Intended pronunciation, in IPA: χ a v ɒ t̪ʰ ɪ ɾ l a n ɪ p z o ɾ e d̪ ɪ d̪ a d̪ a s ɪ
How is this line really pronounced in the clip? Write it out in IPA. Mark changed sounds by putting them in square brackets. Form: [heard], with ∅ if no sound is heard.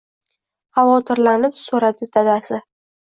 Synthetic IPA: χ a v ɒ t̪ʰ ɪ ɾ l a n ɪ p [s] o ɾ [a] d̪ ɪ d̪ a d̪ a s ɪ